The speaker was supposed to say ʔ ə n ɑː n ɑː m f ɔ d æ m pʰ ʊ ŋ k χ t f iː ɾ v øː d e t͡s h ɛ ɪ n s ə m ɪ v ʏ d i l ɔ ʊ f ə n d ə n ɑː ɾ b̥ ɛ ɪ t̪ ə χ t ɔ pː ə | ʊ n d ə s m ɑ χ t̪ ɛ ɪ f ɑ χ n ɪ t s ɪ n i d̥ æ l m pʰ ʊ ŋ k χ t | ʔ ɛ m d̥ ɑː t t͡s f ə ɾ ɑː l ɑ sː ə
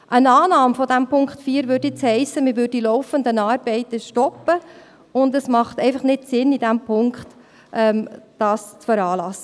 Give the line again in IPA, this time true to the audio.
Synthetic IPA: ʔ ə n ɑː n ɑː m f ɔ d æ m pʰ ʊ ŋ k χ t f iː ɾ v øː d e t͡s h ɛ ɪ s ə m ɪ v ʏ d i l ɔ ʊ f ə n d ə n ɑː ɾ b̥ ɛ ɪ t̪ ə ʃ t ɔ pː ə | ʊ n d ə s m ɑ χ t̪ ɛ ɪ f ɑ χ n ɪ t s ɪ n i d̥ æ m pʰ ʊ ŋ k χ t | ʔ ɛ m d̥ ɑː s t͡s f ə ɾ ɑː l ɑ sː ə

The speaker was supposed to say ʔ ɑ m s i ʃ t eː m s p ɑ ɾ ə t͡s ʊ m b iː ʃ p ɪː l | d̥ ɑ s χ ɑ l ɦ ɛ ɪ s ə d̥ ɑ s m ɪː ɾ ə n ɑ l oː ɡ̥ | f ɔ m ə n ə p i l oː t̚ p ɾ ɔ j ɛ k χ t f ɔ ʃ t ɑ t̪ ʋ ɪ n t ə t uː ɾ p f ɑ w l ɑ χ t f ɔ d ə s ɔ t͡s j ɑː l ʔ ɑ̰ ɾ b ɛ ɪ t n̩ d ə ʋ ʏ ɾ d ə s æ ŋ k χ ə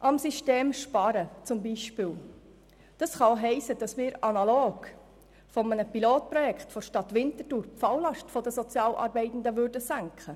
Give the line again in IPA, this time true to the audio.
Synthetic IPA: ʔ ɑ m s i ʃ t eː m ʃ p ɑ ɾ ə t͡s ʊ m b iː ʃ p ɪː l | d̥ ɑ s χ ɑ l ɦ ɛ ɪ s ə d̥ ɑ s m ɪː ɾ ɑ n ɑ l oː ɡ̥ | f ɔ m ə n ə p i l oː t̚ p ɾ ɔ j ɛ k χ t f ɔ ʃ t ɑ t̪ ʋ ɪ n t ə t uː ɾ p f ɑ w l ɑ ʃ t f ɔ d ə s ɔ t͡s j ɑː l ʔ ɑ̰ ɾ b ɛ ɪ t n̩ d ə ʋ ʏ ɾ d ə s æ ŋ k χ ə

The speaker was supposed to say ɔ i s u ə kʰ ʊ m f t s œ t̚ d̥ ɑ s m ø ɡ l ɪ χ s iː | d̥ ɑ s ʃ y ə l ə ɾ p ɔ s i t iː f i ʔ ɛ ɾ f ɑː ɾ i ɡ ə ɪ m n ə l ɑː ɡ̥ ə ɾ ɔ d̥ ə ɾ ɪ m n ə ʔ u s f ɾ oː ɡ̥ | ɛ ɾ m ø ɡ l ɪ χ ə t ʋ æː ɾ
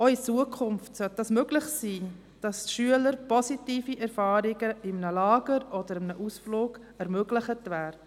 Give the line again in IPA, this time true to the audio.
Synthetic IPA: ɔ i t͡s u ə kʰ ʊ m f t s œ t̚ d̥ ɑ s m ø ɡ l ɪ χ s iː | d̥ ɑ s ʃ y ə l ə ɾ p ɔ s i t iː f i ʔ ɛ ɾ f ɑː ɾ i ɡ ə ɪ m n ə l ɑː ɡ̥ ə ɾ ɔ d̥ ə ɾ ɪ m n ə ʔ u s f l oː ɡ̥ | ɛ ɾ m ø ɡ l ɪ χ ə t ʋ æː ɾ

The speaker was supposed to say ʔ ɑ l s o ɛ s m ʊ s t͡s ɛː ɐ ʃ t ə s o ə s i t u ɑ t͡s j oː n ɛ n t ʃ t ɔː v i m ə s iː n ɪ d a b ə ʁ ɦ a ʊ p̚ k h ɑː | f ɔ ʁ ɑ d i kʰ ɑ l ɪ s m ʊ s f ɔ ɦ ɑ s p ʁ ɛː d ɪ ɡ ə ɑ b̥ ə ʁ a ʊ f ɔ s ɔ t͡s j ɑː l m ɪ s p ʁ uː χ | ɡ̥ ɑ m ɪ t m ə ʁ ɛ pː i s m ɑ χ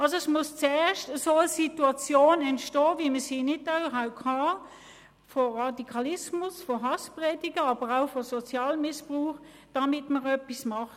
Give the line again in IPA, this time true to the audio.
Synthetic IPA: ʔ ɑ l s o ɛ s m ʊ s t͡s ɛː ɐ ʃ t ə s o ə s i t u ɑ t͡s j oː n ɛ n t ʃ t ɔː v i m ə s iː n ɪ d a b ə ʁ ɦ a ʊ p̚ k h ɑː | f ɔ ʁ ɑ d i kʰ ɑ l ɪ s m ʊ s f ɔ ɦ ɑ s p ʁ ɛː d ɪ ɡ ə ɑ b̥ ə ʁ a ʊ f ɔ s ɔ t͡s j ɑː l m ɪ s p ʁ uː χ | d̥ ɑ m ɪ t m ə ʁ œ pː i s m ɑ χ

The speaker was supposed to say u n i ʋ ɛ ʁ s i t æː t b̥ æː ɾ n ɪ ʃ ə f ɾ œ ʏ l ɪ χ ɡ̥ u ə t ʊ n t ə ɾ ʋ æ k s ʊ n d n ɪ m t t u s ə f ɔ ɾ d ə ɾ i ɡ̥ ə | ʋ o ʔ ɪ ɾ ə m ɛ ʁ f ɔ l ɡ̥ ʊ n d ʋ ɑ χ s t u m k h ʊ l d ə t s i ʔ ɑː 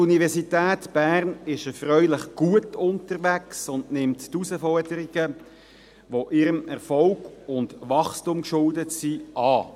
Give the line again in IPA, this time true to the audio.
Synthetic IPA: u n i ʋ ɛ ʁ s i t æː t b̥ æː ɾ n ɪ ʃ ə f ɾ œ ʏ l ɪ χ ɡ̥ u ə t ʊ n t ə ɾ ʋ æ k s ʊ n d n ɪ m t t u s ə f ɔ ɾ d ə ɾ i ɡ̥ ə | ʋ o ʔ ɪ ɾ ə m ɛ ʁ f ɔ l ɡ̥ ʊ n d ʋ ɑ χ s t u m k ʃ ʊ l d ə t s i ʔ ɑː

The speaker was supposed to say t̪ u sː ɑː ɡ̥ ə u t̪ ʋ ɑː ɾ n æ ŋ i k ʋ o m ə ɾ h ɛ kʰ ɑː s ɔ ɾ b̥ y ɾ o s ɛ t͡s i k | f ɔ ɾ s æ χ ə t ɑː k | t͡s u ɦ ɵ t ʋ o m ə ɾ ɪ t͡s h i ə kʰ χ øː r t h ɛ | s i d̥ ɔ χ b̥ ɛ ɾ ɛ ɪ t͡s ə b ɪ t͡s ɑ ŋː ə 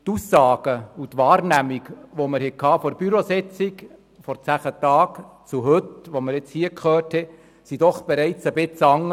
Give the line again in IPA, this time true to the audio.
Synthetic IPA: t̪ u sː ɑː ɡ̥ ə u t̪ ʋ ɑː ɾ n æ m i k ʋ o m ə ɾ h ɛ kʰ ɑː f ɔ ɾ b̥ y ɾ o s ɛ t͡s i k | f ɔ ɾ t͡s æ χ ə t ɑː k | t͡s u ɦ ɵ t ʋ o m ə ɾ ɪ t͡s h i ə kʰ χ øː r t h ɛ | s i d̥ ɔ χ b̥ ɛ ɾ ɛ ɪ t͡s ə b ɪ t͡s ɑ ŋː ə

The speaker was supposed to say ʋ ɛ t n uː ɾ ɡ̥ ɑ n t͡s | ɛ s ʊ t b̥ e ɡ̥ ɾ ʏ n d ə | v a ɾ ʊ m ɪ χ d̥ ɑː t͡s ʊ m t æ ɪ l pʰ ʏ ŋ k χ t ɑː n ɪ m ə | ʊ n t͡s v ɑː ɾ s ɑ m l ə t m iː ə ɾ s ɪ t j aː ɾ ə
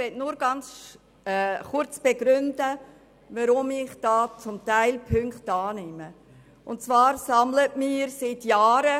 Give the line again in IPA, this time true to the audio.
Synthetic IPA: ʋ ɛ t n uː ɾ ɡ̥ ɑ n t͡s | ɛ χ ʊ t͡s b̥ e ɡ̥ ɾ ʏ n d ə | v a ɾ ʊ m ɪ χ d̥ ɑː t͡s ʊ m t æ ɪ l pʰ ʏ ŋ k χ t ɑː n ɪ m ə | ʊ n t͡s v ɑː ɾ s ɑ m l ə t m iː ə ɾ s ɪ t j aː ɾ ə

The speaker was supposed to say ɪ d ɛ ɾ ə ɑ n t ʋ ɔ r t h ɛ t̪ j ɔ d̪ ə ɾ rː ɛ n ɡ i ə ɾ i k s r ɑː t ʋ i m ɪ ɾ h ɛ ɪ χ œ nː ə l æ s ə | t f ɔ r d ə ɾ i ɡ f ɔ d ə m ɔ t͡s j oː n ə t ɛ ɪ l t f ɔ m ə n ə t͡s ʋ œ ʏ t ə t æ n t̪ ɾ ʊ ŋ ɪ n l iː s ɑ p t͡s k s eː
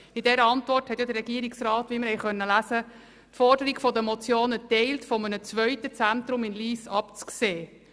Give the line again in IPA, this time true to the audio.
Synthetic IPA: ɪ d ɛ ɾ ə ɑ n t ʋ ɔ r t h ɛ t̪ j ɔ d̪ ə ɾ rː ɛ ɡ i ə ɾ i k s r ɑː t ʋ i m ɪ ɾ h ɛ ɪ χ œ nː ə l æ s ə | t f ɔ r d ə ɾ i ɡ f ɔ d ə m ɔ t͡s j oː n ə t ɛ ɪ l t f ɔ m ə n ə t͡s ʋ œ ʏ t ə t͡s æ n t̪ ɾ ʊ m ɪ n l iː s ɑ p t͡s k s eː

